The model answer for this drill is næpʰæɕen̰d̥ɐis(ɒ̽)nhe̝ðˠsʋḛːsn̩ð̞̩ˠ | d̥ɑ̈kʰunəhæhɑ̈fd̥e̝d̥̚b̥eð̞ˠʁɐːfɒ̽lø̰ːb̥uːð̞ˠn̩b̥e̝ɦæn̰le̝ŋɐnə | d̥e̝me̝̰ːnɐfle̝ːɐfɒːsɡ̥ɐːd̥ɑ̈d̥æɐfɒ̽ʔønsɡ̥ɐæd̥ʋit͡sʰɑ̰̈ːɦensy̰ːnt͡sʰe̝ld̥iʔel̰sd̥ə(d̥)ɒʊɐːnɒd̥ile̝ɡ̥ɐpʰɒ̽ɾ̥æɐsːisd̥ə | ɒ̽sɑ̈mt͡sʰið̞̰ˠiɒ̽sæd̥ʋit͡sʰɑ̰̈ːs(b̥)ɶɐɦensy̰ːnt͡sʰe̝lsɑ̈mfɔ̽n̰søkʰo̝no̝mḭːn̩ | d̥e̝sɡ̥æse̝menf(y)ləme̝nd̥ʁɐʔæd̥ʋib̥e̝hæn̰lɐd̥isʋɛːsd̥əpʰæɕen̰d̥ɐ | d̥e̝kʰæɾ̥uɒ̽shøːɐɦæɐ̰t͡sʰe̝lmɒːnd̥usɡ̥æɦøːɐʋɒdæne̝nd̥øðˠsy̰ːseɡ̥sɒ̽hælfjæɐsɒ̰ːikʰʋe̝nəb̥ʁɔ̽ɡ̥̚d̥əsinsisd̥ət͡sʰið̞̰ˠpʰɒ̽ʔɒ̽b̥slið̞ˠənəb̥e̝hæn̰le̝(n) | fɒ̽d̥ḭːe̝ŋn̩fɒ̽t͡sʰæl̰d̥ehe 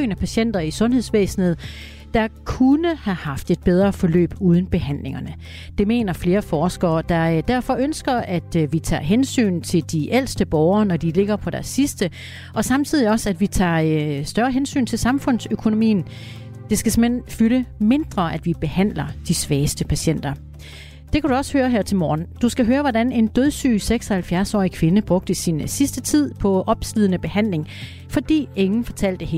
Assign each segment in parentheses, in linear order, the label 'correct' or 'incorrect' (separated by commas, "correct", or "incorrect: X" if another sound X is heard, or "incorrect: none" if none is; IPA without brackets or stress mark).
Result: incorrect: ɔ̽, incorrect: b̥, incorrect: d̥, correct, incorrect: ŋ